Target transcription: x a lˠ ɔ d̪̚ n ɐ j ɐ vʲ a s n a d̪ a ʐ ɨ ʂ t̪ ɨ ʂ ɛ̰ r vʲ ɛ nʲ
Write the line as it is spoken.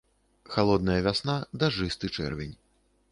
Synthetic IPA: x a lˠ ɔ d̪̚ n ɐ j ɐ vʲ a s n a d̪ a ʐ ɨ s t̪ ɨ t͡ʂ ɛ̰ r vʲ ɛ nʲ

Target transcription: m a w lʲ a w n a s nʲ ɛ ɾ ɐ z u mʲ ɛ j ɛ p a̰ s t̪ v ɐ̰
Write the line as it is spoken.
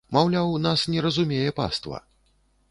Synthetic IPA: m a w lʲ a w n a s nʲ ɛ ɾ ɐ z u mʲ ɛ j ɛ p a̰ s t̪ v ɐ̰

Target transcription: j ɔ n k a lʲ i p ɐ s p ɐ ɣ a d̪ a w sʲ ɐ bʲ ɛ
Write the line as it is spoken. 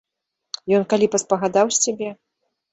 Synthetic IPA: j ɔ n k a lʲ i p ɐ s p ɐ ɣ a d̪ a w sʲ a bʲ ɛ

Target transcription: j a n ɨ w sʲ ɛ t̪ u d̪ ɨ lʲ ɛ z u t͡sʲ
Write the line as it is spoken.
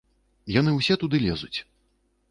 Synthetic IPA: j a n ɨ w sʲ ɛ t̪ u d̪ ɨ lʲ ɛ z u t͡sʲ

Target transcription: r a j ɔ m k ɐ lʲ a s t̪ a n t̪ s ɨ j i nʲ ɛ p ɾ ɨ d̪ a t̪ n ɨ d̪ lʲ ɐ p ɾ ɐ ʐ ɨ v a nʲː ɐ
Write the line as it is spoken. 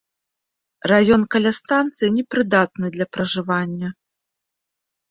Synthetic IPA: r a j ɔ n k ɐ lʲ a s t̪ a n t̪ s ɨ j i nʲ ɛ p ɾ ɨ d̪ a t̪ n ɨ d̪ lʲ ɐ p ɾ ɐ ʐ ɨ v a nʲː ɐ

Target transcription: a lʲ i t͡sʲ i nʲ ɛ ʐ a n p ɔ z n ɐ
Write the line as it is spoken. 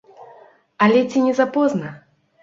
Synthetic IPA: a lʲ ɛ t͡sʲ i nʲ ɛ z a p ɔ z n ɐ

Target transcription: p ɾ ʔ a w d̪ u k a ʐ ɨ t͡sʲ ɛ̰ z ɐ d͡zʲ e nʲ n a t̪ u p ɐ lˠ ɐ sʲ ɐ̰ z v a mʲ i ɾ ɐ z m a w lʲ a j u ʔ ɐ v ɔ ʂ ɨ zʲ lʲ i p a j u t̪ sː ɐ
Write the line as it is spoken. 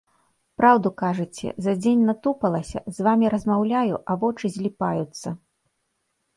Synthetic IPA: p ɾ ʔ a w d̪ u k a ʐ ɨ t͡sʲ ɛ̰ z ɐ d͡zʲ e nʲ n a t̪ u p ɐ lˠ ɐ sʲ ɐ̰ z v a mʲ i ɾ ɐ z m a w lʲ a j u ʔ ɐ v ɔ t͡ʂ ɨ zʲ lʲ i p a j u t̪ sː ɐ

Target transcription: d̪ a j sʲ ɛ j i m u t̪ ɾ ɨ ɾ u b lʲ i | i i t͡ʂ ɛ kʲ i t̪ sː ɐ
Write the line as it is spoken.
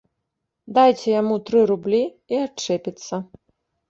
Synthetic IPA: d̪ a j t͡sʲ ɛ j a m u t̪ ɾ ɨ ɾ u b lʲ i | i a t͡ʂ ɛ pʲ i t̪ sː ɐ

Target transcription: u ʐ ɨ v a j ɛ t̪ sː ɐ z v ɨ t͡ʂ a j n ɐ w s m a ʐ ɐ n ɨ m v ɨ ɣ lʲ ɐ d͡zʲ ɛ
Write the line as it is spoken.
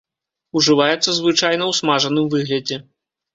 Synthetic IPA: u ʐ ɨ v a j ɛ t̪ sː ɐ z v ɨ t͡ʂ a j n ɐ w s m a ʐ ɐ n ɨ m v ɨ ɣ lʲ ɐ d͡zʲ ɛ

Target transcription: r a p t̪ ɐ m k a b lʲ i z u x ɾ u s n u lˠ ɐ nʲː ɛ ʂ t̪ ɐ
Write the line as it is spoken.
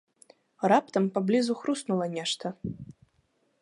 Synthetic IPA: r a p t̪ ɐ m p a b lʲ i z u x ɾ u s n u lˠ ɐ nʲ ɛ ʂ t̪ ɐ

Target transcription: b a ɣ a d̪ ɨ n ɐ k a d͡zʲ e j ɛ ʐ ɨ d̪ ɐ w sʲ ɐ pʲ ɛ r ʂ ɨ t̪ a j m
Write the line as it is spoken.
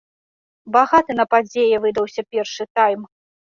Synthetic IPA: b a ɣ a t̪ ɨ n ɐ p a d͡zʲ e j ɛ v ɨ d̪ ɐ w sʲ ɐ pʲ ɛ r ʂ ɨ t̪ a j m

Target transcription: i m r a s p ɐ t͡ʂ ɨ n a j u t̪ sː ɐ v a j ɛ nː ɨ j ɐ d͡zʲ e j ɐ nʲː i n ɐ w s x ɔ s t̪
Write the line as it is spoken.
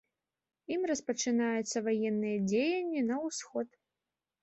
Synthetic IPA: i m r ɐ s p ɐ t͡ʂ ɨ n a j u t̪ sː ɐ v a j ɛ nː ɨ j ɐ d͡zʲ e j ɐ nʲː i n ɐ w s x ɔ t̪

